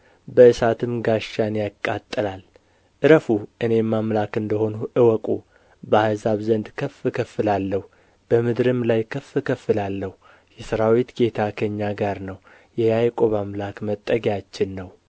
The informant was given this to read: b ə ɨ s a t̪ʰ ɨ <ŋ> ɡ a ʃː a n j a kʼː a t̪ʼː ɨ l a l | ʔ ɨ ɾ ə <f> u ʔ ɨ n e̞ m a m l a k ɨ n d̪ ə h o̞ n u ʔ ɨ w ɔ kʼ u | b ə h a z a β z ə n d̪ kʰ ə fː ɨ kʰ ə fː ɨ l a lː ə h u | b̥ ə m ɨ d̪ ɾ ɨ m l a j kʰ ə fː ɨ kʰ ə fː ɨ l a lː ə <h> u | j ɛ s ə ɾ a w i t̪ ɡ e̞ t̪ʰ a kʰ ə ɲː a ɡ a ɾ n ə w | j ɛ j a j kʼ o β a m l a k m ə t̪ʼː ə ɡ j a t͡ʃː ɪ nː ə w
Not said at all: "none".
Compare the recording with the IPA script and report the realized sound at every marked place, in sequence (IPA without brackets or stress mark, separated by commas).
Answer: m, f, h